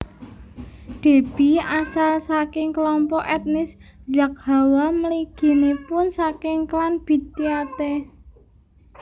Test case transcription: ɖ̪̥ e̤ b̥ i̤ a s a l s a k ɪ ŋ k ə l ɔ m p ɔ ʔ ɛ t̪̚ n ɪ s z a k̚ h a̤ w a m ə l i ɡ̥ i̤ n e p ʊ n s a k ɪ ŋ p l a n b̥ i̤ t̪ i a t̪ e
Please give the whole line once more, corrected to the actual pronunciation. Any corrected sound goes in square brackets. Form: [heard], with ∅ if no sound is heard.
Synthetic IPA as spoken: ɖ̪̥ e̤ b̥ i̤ a s a l s a k ɪ ŋ k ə l ɔ m p ɔ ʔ ɛ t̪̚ n ɪ s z a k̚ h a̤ w a m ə l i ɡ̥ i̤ n e p ʊ n s a k ɪ ŋ [k] l a n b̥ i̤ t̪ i a t̪ e